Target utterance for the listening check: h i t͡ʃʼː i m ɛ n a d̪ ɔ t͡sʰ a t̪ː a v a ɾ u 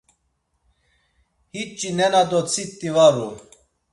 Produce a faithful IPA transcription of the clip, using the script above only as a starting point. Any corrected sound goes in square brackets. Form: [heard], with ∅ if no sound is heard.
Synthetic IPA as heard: h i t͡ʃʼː i [n] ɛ n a d̪ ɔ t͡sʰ [i] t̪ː [i] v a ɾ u